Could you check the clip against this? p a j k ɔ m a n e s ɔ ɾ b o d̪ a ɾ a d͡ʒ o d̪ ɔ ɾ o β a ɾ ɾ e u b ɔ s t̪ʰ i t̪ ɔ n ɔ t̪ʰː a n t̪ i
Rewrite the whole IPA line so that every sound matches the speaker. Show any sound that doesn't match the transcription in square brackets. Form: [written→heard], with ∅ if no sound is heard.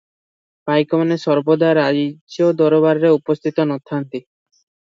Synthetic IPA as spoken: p a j k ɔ m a n e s ɔ ɾ b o d̪ a ɾ a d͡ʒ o d̪ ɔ ɾ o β a ɾ ɾ e u [b→p] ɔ s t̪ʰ i t̪ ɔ n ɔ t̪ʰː a n t̪ i

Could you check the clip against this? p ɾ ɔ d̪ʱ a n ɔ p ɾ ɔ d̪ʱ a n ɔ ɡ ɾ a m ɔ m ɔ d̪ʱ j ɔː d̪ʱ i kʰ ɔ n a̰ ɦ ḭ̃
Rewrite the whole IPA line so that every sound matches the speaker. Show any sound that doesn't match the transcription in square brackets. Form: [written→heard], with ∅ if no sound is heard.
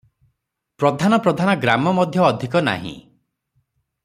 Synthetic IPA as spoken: p ɾ ɔ d̪ʱ a n ɔ p ɾ ɔ d̪ʱ a n ɔ ɡ ɾ a m ɔ m ɔ d̪ʱ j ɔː d̪ʱ i [kʰ→k] ɔ n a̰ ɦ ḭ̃

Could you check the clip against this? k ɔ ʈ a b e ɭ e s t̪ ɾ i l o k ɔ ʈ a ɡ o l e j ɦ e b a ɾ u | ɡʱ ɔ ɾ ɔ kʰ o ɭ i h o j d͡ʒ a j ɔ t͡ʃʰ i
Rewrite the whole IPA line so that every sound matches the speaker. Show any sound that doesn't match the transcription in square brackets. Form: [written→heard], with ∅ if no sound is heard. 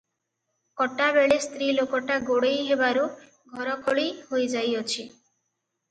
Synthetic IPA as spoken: k ɔ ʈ a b e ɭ e s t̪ ɾ i l o k ɔ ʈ a ɡ o [l→ɽ] e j ɦ e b a ɾ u | ɡʱ ɔ ɾ ɔ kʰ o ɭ i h o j d͡ʒ a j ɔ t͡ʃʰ i

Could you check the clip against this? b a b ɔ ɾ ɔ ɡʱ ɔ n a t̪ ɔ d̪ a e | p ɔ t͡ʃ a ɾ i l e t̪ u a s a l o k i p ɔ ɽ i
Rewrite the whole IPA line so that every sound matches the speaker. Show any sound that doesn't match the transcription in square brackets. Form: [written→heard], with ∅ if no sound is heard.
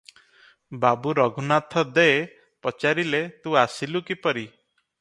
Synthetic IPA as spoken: b a b [ɔ→u] ɾ ɔ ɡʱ [ɔ→u] n a [t̪→t̪ʰ] ɔ d̪ [a→e] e | p ɔ t͡ʃ a ɾ i l e t̪ u a s [a→i] l [o→u] k i p ɔ [ɽ→ɾ] i

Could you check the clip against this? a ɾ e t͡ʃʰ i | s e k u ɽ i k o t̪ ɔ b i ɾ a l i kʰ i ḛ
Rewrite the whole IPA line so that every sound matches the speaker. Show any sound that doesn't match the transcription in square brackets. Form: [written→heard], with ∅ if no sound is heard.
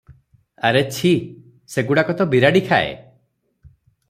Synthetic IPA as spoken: a ɾ e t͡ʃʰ i | s e [k→ɡ] u ɽ [i→a] k [o→ɔ] t̪ ɔ b i ɾ a [l→ɽ] i kʰ [i→a] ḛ

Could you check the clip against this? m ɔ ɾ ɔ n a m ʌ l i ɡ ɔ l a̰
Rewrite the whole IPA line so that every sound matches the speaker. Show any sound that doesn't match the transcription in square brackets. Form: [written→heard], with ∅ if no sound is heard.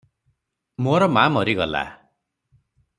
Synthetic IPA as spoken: m [ɔ→o] ɾ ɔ [n→m] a m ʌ [l→ɾ] i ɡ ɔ l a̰

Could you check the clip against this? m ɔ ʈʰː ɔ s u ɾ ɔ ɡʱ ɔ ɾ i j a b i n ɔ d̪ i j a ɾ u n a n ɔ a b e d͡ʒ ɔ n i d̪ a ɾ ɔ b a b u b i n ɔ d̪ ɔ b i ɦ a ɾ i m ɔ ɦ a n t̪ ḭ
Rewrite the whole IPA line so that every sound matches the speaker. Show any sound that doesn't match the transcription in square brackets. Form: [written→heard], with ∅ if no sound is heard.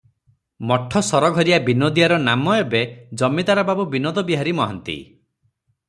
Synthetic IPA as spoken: m ɔ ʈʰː ɔ s [u→ɔ] ɾ ɔ ɡʱ ɔ ɾ i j a b i n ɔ d̪ i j a ɾ [u→ɔ] n a [n→m] ɔ [a→e] b e d͡ʒ ɔ [n→m] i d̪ a ɾ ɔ b a b u b i n ɔ d̪ ɔ b i ɦ a ɾ i m ɔ ɦ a n t̪ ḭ

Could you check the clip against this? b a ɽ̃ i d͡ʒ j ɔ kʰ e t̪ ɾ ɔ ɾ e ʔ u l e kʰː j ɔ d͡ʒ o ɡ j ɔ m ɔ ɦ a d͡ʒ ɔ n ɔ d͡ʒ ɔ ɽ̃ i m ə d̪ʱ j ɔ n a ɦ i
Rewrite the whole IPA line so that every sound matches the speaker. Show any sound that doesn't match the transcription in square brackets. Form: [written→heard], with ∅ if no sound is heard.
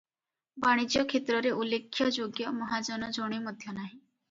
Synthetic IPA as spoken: b a ɽ̃ i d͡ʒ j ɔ kʰ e t̪ ɾ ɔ ɾ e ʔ u l e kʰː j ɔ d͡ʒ o ɡ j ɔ m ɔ ɦ a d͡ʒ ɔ n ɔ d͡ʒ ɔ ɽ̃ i m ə d̪ʱ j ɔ n a ɦ i

